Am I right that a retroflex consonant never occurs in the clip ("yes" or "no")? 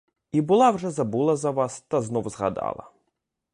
no